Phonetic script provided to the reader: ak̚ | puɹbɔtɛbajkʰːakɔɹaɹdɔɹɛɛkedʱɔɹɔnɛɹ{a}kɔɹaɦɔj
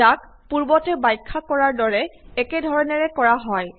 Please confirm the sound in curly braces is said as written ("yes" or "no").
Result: no